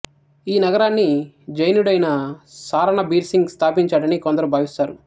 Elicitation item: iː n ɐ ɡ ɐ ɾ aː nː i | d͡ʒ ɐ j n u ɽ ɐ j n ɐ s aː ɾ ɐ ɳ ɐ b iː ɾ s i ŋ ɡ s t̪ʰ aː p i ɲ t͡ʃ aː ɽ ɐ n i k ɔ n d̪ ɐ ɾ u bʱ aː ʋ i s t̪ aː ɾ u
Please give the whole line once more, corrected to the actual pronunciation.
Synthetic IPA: iː n ɐ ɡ ɐ ɾ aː nː i | d͡ʒ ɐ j n u ɽ ɐ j n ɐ s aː ɾ ɐ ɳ ɐ b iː ɾ s i ŋ ɡ s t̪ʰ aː p i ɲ t͡ʃ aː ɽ ɐ n i k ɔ n d̪ ɐ ɾ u bʱ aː ʋ i s t̪ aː ɾ u

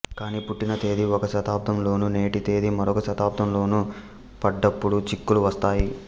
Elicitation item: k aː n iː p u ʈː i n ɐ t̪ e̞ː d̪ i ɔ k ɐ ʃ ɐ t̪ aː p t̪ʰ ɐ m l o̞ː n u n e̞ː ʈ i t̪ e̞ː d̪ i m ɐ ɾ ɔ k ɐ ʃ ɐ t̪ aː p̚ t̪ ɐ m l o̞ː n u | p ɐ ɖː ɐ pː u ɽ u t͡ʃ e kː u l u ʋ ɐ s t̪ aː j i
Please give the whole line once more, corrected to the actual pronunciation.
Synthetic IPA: k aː n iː p u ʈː i n ɐ t̪ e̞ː d̪ i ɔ k ɐ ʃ ɐ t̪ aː p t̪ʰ ɐ m l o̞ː n u n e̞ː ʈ i t̪ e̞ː d̪ i m ɐ ɾ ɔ k ɐ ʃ ɐ t̪ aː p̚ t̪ ɐ m l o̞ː n u | p ɐ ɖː ɐ pː u ɽ u t͡ʃ i kː u l u ʋ ɐ s t̪ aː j i

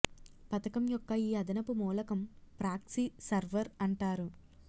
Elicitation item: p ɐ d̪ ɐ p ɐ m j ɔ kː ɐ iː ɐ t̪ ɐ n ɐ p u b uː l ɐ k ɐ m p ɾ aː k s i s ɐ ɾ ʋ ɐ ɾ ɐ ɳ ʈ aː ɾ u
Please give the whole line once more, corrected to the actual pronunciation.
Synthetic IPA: p ɐ t̪ ɐ k ɐ m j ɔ kː ɐ iː ɐ d̪ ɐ n ɐ p u m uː l ɐ k ɐ m p ɾ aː k s i s ɐ ɾ ʋ ɐ ɾ ɐ ɳ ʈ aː ɾ u

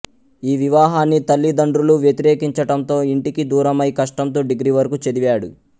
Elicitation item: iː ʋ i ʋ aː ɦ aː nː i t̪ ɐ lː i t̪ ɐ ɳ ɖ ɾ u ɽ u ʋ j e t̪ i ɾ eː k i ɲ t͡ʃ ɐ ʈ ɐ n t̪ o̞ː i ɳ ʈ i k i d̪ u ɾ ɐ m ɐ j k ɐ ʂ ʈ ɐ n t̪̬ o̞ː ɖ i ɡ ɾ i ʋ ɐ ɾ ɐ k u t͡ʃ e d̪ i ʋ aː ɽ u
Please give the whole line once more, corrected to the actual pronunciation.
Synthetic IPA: iː ʋ i ʋ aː ɦ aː nː i t̪ ɐ lː i d̪ ɐ ɳ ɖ ɾ u l u ʋ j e t̪ i ɾ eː k i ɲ t͡ʃ ɐ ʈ ɐ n t̪ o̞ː i ɳ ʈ i k i d̪ uː ɾ ɐ m ɐ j k ɐ ʂ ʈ ɐ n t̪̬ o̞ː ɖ i ɡ ɾ i ʋ ɐ ɾ ɐ k u t͡ʃ e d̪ i ʋ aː ɽ u

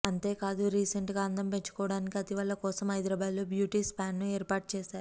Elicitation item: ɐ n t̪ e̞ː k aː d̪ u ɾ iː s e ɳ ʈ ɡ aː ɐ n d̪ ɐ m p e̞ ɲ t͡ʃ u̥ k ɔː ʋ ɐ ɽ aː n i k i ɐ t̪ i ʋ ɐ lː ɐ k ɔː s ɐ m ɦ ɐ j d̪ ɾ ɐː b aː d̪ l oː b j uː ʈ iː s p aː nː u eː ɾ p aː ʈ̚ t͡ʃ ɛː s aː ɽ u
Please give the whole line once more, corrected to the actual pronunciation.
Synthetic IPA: ɐ n t̪ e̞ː k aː d̪ u ɾ iː s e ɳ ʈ ɡ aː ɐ n d̪ ɐ m p e̞ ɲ t͡ʃ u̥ k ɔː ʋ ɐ ɽ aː n i k i ɐ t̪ i ʋ ɐ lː ɐ k ɔː s ɐ m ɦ ɐ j d̪ ɾ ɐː b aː d̪ l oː b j uː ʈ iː s p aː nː u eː ɾ p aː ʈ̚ t͡ʃ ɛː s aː ɾ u

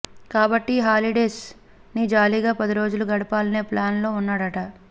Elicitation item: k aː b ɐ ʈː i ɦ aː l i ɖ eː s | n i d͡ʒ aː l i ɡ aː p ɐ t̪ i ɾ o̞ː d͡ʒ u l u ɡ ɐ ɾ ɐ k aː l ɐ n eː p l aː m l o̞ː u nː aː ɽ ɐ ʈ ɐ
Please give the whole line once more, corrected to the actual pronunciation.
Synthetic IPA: k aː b ɐ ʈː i ɦ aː l i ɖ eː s | n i d͡ʒ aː l i ɡ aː p ɐ d̪ i ɾ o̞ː d͡ʒ u l u ɡ ɐ ɽ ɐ p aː l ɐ n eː p l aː n l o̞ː u nː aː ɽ ɐ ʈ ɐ

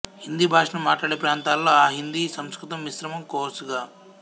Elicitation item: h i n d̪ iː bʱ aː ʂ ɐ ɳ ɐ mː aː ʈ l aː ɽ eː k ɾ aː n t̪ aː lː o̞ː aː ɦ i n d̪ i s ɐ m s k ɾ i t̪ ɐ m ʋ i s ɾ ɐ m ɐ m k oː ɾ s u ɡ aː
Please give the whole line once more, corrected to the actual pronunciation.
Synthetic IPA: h i n d̪ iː bʱ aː ʂ ɐ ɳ ɐ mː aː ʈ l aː ɽ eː p ɾ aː n t̪ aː lː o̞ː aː ɦ i n d̪ i s ɐ m s k ɾ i t̪ ɐ m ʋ i s ɾ ɐ m ɐ m k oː ɾ s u ɡ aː

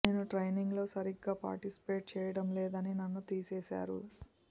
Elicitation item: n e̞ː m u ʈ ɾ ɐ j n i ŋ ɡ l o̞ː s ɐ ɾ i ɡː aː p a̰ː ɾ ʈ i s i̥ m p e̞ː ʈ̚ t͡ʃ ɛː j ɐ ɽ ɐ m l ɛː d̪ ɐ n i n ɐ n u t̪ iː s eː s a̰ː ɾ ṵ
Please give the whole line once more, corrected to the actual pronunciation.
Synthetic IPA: n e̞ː n u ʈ ɾ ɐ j n i ŋ ɡ l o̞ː s ɐ ɾ i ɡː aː p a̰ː ɾ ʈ i s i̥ p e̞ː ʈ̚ t͡ʃ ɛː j ɐ ɽ ɐ m l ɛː d̪ ɐ n i n ɐ nː u t̪ iː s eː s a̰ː ɾ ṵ

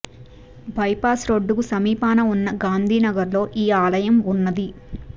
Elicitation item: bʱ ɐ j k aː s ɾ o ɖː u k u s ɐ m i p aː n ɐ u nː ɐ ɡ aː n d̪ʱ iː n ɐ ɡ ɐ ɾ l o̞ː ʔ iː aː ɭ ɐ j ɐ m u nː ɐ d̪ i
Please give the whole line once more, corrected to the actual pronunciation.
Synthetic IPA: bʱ ɐ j p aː s ɾ o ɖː u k u s ɐ m iː p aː n ɐ u nː ɐ ɡ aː n d̪ʱ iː n ɐ ɡ ɐ ɾ l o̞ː ʔ iː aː l ɐ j ɐ m u nː ɐ d̪ i

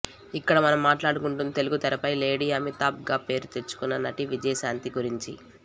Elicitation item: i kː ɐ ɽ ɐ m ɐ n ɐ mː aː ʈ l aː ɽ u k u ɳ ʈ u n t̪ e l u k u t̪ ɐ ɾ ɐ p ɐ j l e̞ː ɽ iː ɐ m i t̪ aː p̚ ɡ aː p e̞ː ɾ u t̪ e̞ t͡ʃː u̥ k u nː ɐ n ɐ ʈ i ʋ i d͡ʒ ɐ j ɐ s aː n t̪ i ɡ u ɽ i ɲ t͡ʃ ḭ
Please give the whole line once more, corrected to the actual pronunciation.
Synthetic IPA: i kː ɐ ɽ ɐ m ɐ n ɐ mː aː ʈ l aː ɽ u k u ɳ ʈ u n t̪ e l u ɡ u t̪ ɐ ɾ ɐ p ɐ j l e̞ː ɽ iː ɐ m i t̪ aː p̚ ɡ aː p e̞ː ɾ u t̪ e̞ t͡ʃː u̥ k u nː ɐ n ɐ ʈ i ʋ i d͡ʒ ɐ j ɐ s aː n t̪ i ɡ u ɾ i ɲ t͡ʃ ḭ

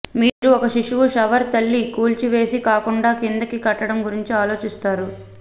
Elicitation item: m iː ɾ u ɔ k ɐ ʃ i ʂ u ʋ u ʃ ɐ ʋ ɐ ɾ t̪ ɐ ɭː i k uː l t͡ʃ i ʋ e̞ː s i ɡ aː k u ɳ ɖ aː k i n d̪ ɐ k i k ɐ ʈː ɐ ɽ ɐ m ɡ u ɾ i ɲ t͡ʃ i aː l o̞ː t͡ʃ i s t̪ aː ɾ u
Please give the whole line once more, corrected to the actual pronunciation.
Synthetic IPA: m iː ɾ u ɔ k ɐ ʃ i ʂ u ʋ u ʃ ɐ ʋ ɐ ɾ t̪ ɐ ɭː i k uː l t͡ʃ i ʋ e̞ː s i k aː k u ɳ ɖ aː k i n d̪ ɐ k i k ɐ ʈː ɐ ɽ ɐ m ɡ u ɾ i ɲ t͡ʃ i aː l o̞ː t͡ʃ i s t̪ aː ɾ u

